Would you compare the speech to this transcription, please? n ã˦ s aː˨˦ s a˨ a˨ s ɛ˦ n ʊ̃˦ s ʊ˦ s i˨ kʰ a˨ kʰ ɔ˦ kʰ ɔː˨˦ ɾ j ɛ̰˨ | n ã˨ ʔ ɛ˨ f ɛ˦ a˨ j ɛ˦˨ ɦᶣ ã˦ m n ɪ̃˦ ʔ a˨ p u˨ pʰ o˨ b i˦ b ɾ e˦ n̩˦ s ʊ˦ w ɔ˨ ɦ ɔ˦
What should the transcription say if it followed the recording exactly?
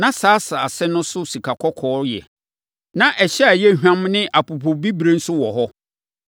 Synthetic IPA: n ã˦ s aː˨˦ s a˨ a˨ s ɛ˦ n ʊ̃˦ s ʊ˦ s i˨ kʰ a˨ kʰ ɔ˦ kʰ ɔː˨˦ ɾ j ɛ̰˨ | n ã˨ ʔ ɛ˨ ɕ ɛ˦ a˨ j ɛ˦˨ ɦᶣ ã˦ m n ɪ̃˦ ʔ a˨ p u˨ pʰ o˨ b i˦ b ɾ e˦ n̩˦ s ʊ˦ w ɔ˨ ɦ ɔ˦